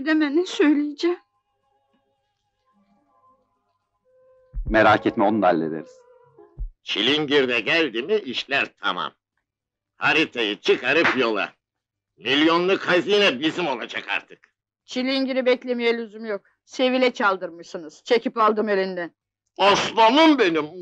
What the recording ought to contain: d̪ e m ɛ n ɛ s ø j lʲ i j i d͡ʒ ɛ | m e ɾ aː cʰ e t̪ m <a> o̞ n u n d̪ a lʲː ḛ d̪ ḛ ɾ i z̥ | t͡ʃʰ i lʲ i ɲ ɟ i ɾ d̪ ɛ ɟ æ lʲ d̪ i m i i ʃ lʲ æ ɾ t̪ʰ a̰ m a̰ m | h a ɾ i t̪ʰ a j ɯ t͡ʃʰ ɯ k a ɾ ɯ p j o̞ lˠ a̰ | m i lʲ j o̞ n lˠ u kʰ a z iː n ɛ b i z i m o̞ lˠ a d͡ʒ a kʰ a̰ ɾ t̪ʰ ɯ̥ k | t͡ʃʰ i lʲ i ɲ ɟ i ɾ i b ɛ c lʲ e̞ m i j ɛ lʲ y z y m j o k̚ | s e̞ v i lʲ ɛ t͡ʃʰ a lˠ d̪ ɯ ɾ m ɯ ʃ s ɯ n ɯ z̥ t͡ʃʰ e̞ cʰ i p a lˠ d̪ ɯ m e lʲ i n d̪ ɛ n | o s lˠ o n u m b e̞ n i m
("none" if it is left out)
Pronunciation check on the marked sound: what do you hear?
ɛ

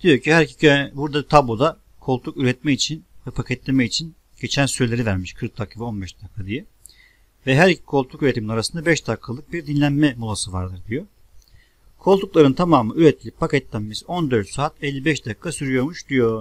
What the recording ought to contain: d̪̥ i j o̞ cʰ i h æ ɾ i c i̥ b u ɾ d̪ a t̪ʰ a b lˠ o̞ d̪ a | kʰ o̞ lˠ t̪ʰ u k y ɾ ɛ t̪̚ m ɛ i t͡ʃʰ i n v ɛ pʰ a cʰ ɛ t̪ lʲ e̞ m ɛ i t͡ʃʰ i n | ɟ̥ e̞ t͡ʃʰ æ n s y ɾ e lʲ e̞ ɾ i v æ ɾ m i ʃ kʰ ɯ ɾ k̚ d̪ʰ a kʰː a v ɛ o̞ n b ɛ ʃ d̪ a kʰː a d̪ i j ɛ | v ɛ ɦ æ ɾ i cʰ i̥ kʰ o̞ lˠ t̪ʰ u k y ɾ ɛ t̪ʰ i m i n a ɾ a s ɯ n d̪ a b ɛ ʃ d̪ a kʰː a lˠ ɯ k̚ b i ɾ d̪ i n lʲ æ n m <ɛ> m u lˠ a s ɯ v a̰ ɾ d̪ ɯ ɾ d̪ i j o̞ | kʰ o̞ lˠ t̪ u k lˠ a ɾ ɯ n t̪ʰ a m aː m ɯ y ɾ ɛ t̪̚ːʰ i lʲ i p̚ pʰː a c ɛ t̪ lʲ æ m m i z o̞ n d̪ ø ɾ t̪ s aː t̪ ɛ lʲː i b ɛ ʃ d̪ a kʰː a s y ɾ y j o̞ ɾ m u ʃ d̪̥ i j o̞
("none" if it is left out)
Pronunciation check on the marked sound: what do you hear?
ɛ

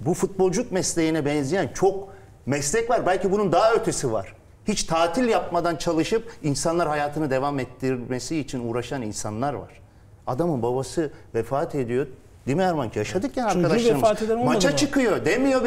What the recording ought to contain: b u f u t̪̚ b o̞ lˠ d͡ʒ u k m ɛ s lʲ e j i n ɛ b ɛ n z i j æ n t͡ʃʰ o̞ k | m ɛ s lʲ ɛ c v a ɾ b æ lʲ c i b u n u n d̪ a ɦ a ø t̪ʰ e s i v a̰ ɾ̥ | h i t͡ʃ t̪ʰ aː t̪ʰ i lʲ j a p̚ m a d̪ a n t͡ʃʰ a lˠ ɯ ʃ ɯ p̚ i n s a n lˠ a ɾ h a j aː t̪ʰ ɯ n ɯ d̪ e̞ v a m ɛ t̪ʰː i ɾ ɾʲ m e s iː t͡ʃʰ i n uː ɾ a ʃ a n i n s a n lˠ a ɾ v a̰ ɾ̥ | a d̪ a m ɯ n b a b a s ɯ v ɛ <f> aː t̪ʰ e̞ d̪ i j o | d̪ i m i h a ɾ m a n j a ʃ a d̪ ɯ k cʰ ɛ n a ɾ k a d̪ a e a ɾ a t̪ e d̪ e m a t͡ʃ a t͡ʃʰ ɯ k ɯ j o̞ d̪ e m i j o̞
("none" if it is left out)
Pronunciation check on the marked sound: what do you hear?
f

